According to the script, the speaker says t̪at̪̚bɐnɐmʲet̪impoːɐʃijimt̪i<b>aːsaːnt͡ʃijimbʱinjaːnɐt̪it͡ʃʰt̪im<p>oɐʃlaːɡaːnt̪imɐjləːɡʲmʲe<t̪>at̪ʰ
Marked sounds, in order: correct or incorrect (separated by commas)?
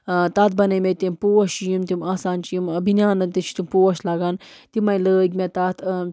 incorrect, correct, correct